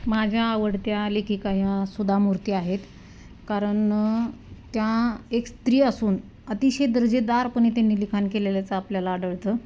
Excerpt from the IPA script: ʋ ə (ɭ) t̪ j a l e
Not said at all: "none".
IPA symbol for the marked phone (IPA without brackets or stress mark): ɽ